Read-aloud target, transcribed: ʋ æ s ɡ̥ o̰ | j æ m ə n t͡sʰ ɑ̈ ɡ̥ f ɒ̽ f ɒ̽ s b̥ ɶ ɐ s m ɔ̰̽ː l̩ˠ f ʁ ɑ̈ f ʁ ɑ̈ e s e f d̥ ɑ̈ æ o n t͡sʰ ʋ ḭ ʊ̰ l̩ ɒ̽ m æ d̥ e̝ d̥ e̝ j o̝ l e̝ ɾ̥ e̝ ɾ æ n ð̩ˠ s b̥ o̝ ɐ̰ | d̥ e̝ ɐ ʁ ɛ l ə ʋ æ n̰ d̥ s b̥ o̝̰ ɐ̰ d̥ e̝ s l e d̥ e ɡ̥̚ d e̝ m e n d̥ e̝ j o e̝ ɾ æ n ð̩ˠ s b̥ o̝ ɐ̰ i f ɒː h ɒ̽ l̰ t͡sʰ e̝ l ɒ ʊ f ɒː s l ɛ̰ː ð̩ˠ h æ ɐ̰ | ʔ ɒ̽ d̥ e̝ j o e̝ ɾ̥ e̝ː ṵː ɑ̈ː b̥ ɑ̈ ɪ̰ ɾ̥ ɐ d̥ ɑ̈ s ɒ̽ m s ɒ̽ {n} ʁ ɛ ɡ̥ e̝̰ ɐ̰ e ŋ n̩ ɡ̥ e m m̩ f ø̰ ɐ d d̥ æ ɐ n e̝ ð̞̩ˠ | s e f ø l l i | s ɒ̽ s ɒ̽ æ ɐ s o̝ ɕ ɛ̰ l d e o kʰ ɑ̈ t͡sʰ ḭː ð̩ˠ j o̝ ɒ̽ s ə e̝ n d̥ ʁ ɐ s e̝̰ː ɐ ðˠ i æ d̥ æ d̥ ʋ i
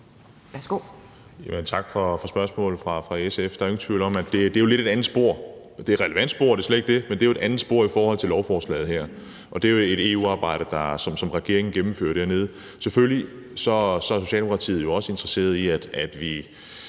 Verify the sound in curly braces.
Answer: incorrect: m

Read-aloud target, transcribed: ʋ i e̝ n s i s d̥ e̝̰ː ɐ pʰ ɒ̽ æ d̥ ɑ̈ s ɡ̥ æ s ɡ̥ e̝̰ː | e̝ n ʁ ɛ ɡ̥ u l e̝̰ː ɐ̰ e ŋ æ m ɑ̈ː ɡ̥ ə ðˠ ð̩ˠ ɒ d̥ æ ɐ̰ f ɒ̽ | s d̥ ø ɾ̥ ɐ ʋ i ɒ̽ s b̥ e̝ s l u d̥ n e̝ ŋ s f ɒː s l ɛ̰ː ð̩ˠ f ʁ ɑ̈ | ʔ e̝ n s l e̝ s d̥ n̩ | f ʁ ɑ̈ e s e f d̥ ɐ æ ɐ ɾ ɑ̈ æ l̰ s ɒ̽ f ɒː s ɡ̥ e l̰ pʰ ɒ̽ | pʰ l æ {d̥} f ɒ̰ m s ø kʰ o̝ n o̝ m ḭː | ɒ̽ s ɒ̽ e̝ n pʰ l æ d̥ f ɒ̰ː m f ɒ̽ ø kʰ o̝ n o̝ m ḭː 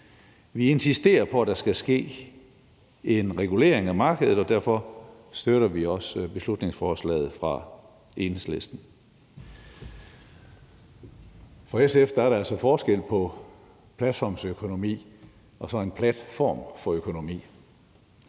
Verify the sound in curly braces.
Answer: correct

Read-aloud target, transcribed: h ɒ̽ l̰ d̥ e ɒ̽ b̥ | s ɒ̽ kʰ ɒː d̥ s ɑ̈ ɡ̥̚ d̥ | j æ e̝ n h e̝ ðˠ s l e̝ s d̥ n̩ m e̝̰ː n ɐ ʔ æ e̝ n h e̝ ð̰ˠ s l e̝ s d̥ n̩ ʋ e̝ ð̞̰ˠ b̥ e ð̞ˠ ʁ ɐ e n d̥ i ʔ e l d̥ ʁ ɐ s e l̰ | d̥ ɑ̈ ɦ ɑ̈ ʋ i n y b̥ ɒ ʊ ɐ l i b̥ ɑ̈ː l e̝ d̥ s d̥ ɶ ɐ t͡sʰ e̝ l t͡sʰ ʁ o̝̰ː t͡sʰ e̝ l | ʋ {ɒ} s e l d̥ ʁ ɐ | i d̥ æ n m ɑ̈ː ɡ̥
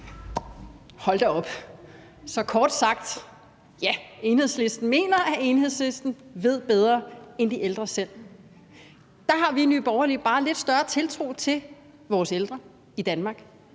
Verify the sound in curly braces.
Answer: incorrect: ɒː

